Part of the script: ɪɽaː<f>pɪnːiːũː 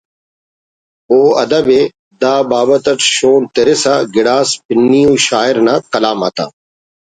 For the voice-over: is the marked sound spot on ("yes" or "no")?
no